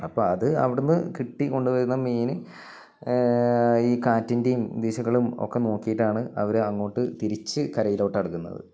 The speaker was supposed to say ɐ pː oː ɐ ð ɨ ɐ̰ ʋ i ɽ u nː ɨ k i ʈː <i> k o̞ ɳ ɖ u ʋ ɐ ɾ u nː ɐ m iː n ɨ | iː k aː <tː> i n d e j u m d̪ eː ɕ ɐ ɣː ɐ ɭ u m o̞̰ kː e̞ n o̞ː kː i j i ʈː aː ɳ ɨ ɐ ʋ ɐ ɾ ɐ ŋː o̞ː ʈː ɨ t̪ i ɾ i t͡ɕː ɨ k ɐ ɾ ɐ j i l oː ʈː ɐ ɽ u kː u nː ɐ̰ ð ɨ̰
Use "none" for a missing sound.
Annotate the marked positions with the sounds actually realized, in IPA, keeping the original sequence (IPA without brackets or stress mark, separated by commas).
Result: i, tː